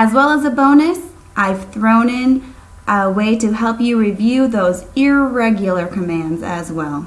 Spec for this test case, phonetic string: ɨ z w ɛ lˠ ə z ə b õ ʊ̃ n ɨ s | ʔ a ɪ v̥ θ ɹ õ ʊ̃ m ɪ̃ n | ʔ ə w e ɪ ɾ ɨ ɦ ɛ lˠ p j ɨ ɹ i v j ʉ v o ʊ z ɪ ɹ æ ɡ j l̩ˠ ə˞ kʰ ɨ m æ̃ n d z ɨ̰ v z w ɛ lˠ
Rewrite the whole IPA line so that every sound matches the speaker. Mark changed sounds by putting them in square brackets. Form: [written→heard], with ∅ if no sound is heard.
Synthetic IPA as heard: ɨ z w ɛ lˠ ə z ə b õ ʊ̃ n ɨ s | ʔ a ɪ v̥ θ ɹ õ ʊ̃ [m→n] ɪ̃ n | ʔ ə w e ɪ ɾ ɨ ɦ ɛ lˠ p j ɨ ɹ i v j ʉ [v→ð] o ʊ z ɪ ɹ [æ→ɛ] ɡ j l̩ˠ ə˞ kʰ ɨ m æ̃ n d z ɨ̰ [v→∅] z w ɛ lˠ